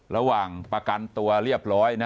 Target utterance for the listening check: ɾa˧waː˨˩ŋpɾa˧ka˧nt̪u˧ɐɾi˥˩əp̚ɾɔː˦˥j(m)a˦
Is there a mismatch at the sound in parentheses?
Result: yes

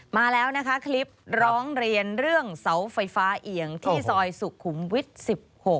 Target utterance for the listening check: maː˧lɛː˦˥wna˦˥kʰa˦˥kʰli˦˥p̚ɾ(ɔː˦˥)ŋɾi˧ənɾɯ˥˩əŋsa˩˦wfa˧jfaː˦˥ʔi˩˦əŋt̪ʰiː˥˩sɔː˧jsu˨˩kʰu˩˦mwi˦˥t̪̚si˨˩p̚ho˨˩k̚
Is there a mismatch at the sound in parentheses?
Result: no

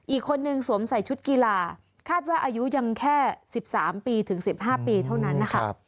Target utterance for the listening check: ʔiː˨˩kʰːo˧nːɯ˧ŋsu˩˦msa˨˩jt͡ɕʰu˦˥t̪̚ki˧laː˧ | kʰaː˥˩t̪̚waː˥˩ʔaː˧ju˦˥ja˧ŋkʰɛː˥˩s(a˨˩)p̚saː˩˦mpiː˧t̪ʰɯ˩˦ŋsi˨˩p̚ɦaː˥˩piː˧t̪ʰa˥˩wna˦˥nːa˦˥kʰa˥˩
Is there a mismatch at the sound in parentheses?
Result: yes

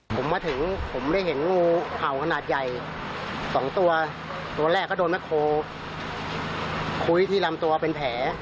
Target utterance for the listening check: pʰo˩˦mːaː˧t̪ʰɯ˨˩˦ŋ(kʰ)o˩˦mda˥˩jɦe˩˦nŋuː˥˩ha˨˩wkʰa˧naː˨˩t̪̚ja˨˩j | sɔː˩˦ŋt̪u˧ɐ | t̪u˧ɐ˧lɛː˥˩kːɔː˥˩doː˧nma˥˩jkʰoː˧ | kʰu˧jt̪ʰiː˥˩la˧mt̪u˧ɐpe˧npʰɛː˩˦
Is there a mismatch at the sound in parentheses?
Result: yes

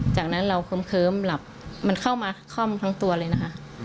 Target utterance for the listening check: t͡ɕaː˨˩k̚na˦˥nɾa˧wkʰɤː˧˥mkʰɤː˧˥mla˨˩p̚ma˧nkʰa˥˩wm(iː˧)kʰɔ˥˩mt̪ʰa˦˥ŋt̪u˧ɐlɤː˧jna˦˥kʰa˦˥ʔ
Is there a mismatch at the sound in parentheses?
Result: yes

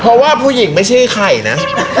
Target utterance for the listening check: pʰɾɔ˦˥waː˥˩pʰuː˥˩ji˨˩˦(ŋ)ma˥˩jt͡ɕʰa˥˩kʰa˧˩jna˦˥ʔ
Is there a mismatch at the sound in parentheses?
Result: no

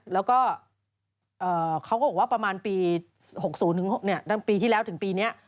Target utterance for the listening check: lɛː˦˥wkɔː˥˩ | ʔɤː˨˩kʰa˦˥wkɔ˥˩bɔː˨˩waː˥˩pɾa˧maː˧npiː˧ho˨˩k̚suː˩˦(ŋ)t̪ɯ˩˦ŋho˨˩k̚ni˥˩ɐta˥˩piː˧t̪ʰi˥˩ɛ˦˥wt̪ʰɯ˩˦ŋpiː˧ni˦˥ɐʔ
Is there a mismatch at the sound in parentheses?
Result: yes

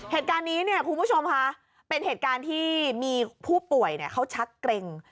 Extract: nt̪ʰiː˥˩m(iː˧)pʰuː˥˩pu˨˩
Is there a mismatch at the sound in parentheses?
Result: no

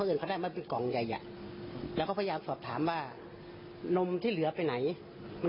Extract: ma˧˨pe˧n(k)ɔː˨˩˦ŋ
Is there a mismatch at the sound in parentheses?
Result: no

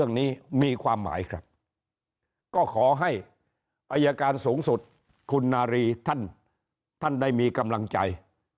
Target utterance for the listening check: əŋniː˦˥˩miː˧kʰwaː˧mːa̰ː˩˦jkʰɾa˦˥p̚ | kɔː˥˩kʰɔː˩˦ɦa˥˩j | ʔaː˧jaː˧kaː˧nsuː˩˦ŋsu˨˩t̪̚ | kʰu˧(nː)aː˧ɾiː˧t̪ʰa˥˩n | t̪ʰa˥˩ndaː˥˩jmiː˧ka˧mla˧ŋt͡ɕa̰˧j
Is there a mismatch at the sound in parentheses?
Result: no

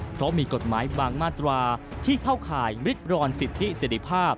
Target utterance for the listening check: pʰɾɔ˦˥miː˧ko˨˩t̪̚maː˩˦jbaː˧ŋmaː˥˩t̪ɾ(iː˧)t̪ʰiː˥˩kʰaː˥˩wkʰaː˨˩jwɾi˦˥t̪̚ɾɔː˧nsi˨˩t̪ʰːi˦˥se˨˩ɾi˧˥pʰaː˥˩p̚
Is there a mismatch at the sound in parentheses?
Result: yes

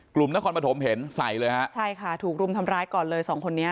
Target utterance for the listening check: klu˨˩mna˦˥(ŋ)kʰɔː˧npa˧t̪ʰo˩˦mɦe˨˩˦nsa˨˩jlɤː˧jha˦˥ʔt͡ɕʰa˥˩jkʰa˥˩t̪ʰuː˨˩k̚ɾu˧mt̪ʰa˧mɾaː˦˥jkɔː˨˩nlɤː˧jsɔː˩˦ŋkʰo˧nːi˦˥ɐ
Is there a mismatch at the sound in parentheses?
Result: yes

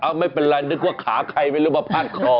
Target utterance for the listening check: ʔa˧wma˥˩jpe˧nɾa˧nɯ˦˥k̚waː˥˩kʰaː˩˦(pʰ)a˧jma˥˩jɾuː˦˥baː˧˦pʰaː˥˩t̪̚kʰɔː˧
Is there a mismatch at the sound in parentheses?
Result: yes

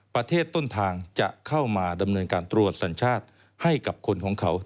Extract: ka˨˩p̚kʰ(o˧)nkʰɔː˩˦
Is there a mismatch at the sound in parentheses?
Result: no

